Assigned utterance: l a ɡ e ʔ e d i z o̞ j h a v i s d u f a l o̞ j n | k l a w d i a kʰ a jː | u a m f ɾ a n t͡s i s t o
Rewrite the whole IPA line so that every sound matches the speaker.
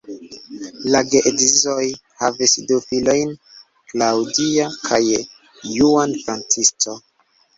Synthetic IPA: l a ɡ e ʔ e d i z o̞ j h a v i s d u f i l o̞ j n | k l a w d i a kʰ a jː | u a n f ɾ a n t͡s i s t o